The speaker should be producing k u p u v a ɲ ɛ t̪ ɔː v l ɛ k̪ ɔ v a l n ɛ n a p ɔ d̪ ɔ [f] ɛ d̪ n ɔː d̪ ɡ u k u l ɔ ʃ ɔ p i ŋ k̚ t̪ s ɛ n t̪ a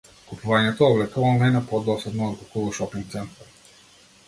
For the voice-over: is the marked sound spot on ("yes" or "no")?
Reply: no